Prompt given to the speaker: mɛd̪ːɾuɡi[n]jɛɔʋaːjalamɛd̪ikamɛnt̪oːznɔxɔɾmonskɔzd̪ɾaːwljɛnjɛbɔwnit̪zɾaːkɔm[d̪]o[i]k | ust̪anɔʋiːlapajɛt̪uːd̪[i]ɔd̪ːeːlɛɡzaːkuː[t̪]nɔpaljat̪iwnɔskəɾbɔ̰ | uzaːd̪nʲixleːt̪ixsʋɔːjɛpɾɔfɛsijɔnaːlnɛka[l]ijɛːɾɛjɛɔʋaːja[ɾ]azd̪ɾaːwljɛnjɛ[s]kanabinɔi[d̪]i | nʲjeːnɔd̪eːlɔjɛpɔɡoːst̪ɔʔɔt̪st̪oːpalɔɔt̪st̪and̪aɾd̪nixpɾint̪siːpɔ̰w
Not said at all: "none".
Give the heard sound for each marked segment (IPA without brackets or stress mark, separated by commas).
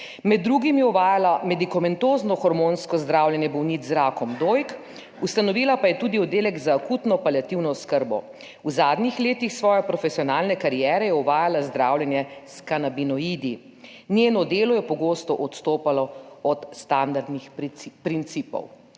m, d̪, j, i, t̪, ɾ, l, s, d̪